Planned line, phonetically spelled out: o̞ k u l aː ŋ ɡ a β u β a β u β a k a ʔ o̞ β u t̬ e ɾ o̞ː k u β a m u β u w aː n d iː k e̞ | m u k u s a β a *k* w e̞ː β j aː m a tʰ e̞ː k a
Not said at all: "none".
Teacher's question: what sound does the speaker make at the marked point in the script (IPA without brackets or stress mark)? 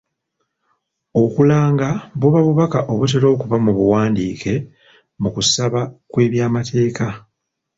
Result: k